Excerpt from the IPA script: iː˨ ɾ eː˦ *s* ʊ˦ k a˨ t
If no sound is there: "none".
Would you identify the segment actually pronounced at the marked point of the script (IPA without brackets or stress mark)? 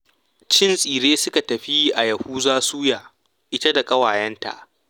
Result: s